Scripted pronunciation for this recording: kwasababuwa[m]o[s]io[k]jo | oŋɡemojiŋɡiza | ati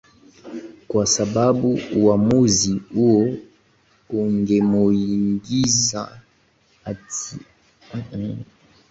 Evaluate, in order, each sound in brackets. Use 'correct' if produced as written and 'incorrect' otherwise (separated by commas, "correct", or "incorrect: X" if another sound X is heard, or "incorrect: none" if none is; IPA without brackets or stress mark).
correct, incorrect: z, incorrect: none